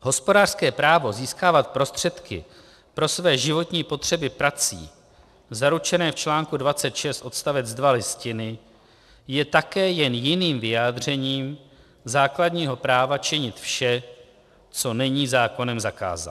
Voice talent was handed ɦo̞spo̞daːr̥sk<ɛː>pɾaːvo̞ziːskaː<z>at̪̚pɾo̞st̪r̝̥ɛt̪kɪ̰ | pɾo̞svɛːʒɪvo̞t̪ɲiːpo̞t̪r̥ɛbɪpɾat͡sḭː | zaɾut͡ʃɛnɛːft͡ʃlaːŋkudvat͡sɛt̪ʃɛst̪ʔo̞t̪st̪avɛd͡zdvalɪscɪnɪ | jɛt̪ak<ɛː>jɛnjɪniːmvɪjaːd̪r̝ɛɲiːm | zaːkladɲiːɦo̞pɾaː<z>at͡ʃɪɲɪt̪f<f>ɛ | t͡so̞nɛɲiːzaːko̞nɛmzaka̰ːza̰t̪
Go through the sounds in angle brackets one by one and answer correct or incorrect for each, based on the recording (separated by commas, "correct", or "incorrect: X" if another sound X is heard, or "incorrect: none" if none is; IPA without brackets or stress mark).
correct, incorrect: v, correct, incorrect: v, incorrect: ʃ